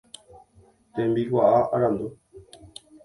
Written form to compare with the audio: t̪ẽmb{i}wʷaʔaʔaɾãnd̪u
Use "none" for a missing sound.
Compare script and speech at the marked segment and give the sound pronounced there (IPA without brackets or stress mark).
i